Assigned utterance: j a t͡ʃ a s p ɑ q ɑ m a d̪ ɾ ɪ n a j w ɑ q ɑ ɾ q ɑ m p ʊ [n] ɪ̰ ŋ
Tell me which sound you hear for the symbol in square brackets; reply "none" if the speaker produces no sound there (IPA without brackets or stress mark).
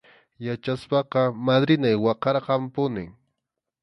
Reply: n